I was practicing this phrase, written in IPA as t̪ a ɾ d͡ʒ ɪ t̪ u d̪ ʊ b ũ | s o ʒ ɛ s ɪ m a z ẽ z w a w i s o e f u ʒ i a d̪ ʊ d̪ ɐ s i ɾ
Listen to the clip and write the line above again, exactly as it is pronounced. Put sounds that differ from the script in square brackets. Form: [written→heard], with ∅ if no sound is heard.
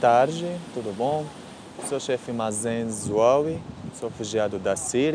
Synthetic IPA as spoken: t̪ a ɾ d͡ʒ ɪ t̪ u d̪ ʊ b [ũ→õ] | s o [ʒ→ʃ] ɛ [s→f] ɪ m a z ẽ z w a w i s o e f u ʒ i a d̪ ʊ d̪ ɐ s i ɾ